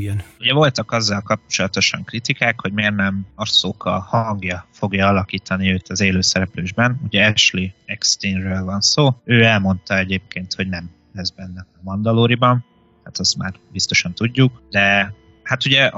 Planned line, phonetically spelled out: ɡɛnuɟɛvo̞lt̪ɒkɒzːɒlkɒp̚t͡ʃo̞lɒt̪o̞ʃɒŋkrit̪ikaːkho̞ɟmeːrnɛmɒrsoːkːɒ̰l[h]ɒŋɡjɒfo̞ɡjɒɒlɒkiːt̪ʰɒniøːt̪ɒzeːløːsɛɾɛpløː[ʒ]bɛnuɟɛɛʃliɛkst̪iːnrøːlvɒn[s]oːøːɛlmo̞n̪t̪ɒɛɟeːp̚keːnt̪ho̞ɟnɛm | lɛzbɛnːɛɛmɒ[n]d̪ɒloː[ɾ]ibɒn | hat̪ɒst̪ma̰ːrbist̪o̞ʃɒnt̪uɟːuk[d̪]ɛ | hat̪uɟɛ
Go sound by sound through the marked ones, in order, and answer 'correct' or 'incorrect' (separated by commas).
correct, correct, correct, correct, correct, correct